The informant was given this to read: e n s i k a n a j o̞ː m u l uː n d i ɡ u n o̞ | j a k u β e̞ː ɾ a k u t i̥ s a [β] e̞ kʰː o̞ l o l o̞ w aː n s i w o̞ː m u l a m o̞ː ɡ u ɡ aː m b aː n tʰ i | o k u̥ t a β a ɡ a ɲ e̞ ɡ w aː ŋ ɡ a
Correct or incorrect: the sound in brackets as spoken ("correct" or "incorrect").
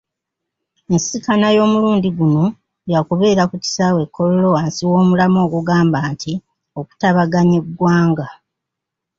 incorrect